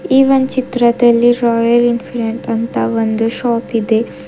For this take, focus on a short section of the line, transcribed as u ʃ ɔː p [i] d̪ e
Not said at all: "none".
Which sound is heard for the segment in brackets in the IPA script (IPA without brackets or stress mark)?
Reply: i